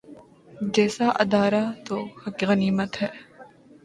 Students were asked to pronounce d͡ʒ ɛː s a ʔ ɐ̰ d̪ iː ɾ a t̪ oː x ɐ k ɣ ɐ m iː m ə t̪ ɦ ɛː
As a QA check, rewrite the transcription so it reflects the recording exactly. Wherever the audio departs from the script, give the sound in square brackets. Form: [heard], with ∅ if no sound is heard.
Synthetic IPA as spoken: d͡ʒ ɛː s a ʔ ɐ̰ d̪ [aː] ɾ a t̪ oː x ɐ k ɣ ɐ [n] iː m ə t̪ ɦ ɛː